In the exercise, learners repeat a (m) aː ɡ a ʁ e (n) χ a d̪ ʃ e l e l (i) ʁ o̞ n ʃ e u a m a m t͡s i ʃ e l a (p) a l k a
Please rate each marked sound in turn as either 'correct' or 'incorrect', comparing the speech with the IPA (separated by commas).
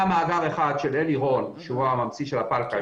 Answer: correct, incorrect, correct, correct